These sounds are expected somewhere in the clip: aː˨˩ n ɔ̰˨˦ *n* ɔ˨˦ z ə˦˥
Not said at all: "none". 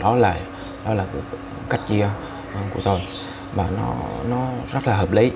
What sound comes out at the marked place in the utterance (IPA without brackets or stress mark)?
n